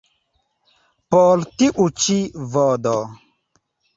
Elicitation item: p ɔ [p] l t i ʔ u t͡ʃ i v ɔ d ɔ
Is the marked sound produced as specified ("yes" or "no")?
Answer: no